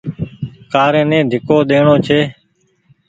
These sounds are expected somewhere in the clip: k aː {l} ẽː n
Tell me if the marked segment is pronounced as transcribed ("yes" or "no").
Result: no